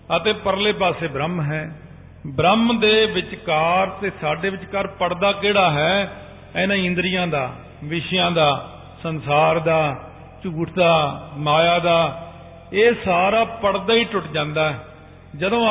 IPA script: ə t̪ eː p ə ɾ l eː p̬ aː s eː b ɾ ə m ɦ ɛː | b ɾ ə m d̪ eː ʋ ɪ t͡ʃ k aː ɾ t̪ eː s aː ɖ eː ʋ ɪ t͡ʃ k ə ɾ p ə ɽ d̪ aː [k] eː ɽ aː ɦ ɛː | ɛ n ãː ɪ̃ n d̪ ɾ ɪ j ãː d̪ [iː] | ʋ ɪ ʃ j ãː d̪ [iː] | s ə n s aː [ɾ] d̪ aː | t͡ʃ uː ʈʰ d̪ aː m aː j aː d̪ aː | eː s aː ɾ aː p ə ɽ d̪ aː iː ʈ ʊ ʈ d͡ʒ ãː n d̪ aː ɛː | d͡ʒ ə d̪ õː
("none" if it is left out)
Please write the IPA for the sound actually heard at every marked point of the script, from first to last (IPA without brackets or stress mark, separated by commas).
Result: k, aː, aː, ɾ